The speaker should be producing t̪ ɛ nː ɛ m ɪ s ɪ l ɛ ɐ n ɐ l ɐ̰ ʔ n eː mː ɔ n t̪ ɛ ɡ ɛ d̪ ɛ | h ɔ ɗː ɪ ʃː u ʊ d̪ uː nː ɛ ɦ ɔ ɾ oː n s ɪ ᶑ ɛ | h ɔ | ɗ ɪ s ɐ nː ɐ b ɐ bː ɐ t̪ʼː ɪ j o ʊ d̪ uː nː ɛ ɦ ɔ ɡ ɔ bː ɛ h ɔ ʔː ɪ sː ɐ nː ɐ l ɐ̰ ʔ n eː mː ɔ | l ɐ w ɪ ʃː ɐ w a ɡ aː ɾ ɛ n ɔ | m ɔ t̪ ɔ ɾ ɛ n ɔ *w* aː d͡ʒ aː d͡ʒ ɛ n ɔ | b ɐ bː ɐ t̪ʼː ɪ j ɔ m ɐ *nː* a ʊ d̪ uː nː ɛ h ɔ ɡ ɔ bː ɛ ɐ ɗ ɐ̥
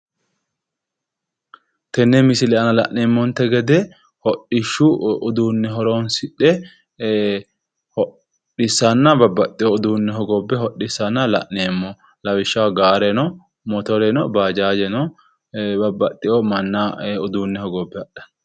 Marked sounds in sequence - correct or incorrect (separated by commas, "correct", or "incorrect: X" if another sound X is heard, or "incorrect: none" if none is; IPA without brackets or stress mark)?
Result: incorrect: b, correct